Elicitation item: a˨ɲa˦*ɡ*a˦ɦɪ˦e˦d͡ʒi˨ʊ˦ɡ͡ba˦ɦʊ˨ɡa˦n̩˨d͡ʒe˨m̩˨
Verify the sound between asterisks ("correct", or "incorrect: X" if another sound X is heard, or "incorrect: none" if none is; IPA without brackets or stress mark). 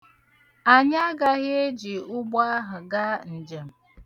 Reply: correct